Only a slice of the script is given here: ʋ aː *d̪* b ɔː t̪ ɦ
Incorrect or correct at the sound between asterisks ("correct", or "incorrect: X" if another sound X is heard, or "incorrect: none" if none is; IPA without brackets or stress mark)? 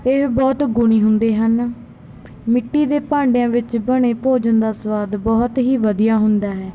correct